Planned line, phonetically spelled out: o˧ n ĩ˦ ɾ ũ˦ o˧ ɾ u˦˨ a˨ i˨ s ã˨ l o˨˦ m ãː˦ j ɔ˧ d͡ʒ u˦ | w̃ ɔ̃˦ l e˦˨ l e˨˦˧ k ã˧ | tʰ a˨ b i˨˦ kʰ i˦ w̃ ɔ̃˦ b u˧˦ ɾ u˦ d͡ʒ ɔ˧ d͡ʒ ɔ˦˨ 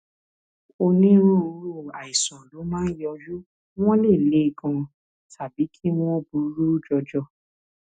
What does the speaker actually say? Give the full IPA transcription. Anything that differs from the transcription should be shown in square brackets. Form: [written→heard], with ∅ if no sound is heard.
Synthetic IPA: o˧ n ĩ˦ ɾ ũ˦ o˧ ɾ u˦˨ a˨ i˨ s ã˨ l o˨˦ m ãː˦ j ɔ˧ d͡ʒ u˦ | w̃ ɔ̃˦ l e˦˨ l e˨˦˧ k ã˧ | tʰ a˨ b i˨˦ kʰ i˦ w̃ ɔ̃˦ b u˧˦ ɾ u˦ d͡ʒ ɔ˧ d͡ʒ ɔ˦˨